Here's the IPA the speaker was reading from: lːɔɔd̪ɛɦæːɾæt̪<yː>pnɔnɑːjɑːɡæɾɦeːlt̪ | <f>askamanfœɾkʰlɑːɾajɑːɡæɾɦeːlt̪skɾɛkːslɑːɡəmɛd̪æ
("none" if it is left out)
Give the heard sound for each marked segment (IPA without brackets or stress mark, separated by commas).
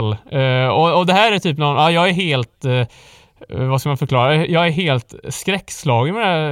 yː, v